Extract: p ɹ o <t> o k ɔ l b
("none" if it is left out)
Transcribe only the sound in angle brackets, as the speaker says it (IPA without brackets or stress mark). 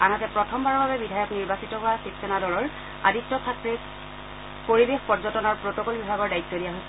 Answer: t